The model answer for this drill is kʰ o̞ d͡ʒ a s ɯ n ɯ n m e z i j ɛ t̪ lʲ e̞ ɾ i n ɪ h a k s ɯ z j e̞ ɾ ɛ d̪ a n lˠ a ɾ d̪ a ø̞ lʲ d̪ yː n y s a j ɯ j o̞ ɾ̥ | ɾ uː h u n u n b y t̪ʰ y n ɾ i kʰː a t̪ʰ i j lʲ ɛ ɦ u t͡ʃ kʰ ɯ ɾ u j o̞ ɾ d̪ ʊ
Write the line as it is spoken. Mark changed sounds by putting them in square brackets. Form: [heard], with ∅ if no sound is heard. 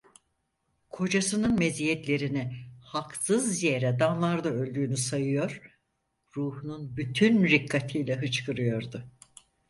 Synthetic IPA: kʰ o̞ d͡ʒ a s ɯ n ɯ n m e z i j ɛ t̪ lʲ e̞ ɾ i n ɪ h a k s ɯ z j e̞ ɾ ɛ d̪ a n lˠ a ɾ d̪ a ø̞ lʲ d̪ yː n y s a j ɯ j o̞ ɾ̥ | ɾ uː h u n u n b y t̪ʰ y n ɾ i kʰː a t̪ʰ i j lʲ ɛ ɦ [ɯ] t͡ʃ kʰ ɯ ɾ [ɯ] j o̞ ɾ d̪ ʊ